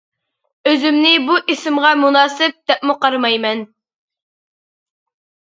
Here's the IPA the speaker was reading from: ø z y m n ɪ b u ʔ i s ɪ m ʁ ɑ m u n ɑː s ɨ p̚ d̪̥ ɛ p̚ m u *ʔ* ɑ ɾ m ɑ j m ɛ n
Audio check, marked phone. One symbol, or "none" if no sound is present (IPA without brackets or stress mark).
q